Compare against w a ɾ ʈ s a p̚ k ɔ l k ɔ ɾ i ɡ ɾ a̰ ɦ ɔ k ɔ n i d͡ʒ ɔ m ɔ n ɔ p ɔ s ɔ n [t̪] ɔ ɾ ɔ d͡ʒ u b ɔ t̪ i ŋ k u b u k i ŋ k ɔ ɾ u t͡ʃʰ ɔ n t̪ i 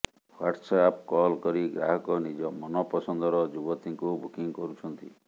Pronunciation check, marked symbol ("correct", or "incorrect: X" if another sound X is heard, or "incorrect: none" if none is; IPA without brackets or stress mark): incorrect: d̪